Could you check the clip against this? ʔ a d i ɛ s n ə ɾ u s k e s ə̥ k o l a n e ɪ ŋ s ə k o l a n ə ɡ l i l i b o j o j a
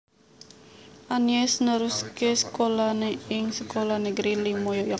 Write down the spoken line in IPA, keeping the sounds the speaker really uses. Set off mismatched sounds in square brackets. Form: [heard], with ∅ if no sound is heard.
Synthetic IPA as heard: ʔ a [n] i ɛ s n ə ɾ u s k e s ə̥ k o l a n e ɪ ŋ s ə k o l a n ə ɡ [ɾ] i l i [m] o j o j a